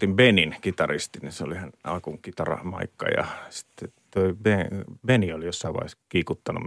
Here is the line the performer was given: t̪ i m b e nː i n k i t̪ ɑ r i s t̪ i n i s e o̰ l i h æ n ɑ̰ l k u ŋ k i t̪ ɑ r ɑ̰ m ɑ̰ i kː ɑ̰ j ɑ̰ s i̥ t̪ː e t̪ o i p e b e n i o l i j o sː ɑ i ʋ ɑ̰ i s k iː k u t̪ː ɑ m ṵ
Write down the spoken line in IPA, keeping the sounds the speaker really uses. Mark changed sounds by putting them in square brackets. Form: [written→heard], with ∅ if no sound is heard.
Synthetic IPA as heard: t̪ i m b e [nː→n] i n k i t̪ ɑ r i s t̪ i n i s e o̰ l i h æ n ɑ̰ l k u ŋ k i t̪ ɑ r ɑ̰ m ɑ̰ i kː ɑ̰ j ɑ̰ s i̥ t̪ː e t̪ o i [p→b] e b e n i o l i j o sː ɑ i ʋ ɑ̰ i s k iː k u t̪ː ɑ [m→n] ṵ